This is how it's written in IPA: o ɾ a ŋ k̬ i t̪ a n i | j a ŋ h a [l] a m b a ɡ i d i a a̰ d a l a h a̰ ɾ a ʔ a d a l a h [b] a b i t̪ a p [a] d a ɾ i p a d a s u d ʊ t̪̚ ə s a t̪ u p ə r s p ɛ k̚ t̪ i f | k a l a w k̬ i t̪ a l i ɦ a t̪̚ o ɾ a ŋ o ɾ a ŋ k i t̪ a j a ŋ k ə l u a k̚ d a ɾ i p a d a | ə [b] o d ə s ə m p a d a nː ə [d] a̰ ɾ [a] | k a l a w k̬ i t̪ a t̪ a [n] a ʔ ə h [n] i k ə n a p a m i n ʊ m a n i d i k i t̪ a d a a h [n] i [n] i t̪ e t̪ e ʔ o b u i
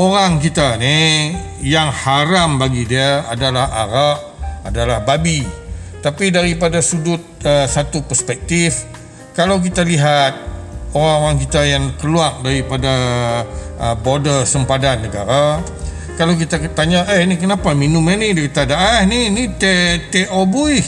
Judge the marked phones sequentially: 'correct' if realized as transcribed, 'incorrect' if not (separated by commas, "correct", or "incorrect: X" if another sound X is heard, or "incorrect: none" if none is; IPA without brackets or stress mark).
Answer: incorrect: ɾ, correct, incorrect: i, correct, incorrect: ɡ, correct, incorrect: ɲ, correct, correct, correct